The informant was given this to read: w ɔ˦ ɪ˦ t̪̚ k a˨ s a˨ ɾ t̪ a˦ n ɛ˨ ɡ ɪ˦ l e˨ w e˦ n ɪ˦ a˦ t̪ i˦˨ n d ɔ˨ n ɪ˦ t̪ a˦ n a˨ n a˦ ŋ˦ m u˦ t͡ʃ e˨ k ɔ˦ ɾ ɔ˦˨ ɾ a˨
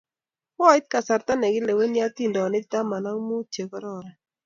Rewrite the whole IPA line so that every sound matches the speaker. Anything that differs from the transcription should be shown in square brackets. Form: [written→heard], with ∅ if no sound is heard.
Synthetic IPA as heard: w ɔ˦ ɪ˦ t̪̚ k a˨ s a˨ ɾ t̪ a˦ n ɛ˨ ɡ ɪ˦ l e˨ w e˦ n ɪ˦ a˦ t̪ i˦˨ n d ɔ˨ n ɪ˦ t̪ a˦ [n→m] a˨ n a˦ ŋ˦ m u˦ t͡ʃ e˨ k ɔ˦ ɾ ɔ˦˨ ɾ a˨